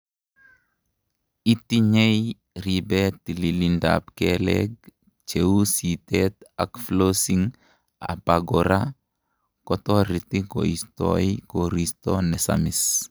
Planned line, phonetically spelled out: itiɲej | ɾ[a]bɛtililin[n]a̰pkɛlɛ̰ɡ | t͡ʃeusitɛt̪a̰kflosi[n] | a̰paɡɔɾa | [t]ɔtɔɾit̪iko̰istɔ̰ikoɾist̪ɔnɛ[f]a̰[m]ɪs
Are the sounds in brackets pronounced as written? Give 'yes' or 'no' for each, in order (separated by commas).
no, no, no, no, no, yes